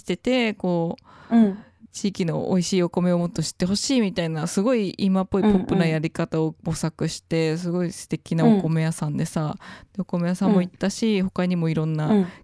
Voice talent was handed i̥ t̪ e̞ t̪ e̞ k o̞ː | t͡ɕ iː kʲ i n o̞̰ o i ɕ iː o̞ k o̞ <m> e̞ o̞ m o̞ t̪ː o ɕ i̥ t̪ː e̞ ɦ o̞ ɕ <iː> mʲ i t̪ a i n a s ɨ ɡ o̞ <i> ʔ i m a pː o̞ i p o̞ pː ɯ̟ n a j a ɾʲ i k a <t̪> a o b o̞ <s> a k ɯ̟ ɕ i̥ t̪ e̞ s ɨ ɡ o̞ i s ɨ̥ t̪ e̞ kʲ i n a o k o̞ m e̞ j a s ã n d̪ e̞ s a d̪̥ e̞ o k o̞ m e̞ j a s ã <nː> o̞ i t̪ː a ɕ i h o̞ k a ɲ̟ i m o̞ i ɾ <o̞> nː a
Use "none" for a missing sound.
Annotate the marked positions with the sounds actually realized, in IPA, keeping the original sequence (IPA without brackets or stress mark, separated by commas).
m, iː, i, t̪, s, mː, õ̞